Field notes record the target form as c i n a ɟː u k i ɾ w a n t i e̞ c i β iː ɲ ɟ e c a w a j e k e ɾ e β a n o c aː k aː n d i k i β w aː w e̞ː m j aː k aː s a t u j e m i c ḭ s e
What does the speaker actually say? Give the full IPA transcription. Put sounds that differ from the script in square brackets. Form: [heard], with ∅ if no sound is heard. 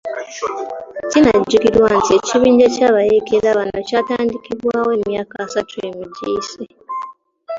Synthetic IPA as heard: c i n a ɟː u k i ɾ w a n t i e̞ c i β iː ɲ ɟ e c a [β] a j e k e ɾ [a] β a n o c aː [t] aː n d i k i β w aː w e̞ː m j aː k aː s a t u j e m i [ɟ] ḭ s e